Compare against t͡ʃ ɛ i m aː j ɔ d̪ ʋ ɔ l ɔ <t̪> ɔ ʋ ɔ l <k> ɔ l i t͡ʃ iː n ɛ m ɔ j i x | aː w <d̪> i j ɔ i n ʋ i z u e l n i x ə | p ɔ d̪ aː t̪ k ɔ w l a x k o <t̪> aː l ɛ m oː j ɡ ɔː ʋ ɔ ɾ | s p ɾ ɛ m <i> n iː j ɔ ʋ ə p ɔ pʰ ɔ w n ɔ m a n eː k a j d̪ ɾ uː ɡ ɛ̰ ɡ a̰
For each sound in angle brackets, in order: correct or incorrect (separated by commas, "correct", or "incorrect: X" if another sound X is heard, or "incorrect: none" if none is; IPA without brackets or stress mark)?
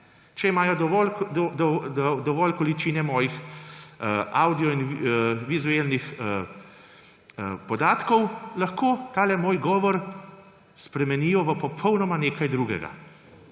incorrect: d̪, correct, correct, correct, incorrect: ɛ